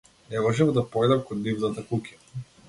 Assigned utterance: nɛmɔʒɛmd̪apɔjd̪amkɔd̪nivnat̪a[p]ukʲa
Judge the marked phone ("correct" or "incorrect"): incorrect